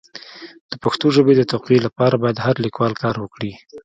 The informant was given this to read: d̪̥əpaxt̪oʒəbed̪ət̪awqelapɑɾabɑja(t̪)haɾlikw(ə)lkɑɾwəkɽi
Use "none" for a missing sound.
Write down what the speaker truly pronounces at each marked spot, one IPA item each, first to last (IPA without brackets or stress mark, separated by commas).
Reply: d̪, ɑ